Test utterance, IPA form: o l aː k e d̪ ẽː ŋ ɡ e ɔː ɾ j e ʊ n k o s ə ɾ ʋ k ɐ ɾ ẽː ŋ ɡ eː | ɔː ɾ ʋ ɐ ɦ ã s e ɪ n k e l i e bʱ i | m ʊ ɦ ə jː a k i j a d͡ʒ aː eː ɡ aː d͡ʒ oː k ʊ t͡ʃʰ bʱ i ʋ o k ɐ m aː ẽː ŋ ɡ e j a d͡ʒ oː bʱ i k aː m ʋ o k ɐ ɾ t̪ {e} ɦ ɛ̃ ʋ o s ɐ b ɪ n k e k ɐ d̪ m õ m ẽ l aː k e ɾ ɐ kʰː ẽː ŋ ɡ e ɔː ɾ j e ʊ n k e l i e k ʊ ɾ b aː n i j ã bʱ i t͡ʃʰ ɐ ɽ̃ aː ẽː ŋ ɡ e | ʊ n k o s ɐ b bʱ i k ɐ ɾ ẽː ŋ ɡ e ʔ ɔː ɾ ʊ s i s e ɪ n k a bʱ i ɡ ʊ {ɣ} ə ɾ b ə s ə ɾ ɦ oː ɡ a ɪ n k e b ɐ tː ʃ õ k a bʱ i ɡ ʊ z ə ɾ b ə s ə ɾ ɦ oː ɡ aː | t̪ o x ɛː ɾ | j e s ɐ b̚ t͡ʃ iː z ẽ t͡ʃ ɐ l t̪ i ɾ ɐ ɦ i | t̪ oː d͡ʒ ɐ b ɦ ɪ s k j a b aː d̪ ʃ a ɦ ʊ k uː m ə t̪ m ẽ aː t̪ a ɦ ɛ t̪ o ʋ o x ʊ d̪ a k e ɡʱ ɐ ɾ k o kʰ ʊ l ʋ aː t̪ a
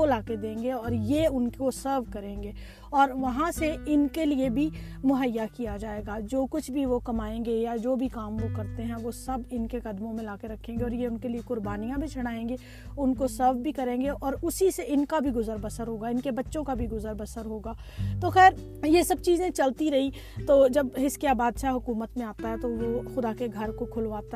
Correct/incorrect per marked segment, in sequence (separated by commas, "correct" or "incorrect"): correct, incorrect